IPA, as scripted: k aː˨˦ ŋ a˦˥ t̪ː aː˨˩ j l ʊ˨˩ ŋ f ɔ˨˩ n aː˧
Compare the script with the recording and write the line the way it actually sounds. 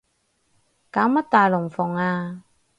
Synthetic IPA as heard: k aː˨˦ m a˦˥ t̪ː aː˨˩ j l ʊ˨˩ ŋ f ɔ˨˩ ŋ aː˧